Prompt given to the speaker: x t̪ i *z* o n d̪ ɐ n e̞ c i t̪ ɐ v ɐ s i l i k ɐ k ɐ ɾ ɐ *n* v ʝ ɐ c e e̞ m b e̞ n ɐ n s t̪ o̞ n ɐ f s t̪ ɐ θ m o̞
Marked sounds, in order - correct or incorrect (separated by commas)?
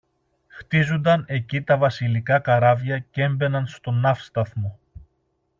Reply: correct, incorrect